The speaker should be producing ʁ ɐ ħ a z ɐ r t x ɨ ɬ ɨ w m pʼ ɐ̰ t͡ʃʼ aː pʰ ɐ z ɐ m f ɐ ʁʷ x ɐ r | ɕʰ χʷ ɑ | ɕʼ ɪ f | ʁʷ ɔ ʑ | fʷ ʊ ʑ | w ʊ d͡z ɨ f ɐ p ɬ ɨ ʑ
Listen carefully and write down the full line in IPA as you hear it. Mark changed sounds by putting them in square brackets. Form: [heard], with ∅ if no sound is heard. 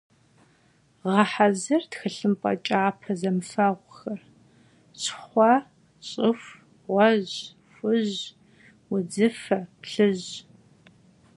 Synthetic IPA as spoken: ʁ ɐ ħ a z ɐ r t x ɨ ɬ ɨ [∅] m pʼ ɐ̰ t͡ʃʼ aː pʰ ɐ z ɐ m f ɐ ʁʷ x ɐ r | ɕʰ χʷ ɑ | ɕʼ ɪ f | ʁʷ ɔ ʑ | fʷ ʊ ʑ | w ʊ d͡z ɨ f ɐ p ɬ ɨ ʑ